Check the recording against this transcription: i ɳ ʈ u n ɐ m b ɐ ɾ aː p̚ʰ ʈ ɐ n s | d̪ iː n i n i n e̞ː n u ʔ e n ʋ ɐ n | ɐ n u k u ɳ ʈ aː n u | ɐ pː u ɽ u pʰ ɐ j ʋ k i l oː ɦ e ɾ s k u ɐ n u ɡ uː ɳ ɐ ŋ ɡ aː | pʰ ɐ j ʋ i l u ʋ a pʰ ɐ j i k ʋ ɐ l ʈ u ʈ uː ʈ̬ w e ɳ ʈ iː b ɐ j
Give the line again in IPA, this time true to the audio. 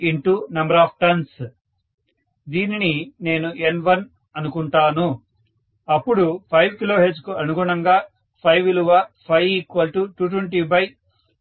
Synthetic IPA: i ɳ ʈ u n ɐ m b ɐ ɾ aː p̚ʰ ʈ ɐ n s | d̪ iː n i n i n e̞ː n u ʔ e n ʋ ɐ n | ɐ n u k u ɳ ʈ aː n u | ɐ pː u ɽ u pʰ ɐ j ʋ k i l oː ɦ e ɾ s k u ɐ n u ɡ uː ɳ ɐ ŋ ɡ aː | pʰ ɐ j ʋ i l u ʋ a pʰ ɐ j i k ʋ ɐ l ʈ u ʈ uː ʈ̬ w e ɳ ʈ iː b ɐ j